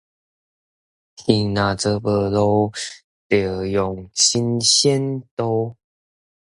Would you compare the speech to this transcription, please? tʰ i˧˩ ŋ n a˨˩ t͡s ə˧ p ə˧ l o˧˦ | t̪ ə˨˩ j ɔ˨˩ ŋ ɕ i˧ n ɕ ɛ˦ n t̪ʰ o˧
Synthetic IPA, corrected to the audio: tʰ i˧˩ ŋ n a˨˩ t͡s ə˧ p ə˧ l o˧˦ | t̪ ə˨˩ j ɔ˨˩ ŋ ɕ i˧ n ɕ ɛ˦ n t̪ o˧